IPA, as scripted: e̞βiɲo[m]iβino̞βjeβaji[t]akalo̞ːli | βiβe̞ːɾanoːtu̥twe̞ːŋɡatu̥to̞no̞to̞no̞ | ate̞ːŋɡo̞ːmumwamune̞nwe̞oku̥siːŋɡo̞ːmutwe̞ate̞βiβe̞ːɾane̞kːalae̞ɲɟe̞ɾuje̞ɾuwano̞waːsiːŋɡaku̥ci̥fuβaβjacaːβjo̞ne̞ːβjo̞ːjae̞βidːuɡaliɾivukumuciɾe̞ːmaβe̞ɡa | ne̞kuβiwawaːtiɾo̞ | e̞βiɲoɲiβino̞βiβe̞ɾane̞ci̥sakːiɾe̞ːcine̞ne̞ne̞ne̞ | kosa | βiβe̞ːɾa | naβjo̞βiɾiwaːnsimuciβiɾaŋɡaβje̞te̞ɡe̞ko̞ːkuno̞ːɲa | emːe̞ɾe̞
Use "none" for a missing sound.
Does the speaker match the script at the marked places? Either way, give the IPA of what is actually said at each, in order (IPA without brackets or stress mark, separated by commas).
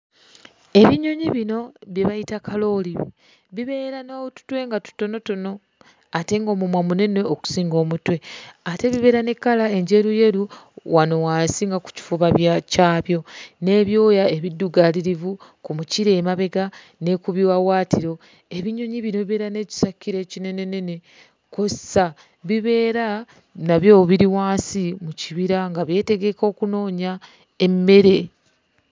ɲ, t